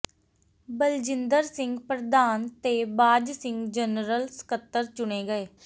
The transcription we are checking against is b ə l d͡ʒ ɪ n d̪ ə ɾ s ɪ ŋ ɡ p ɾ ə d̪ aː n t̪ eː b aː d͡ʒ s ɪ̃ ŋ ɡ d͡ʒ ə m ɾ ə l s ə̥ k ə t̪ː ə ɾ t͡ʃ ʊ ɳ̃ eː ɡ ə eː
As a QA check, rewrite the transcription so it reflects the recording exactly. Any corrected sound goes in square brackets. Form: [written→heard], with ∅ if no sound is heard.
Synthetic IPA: b ə l d͡ʒ ɪ n d̪ ə ɾ s ɪ ŋ ɡ p ɾ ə d̪ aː n t̪ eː b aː d͡ʒ s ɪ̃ ŋ ɡ d͡ʒ ə [m→n] ɾ ə l s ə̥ k ə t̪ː ə ɾ t͡ʃ ʊ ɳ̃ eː ɡ ə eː